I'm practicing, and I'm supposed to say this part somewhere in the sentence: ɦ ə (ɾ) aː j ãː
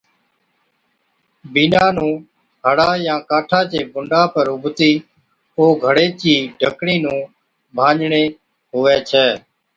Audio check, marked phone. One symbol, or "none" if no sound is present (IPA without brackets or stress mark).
ɽ